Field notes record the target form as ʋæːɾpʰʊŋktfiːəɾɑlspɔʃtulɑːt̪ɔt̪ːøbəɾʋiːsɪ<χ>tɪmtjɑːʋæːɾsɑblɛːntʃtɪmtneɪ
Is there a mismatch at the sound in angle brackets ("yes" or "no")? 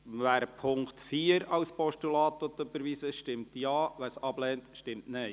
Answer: yes